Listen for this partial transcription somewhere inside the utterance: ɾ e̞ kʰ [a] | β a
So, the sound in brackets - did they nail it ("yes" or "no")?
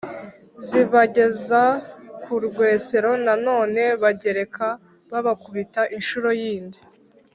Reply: yes